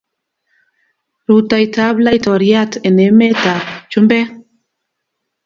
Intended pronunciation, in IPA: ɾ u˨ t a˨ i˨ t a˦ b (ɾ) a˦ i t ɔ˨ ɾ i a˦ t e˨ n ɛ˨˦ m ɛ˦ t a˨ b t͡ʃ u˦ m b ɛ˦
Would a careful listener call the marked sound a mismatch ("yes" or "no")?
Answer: yes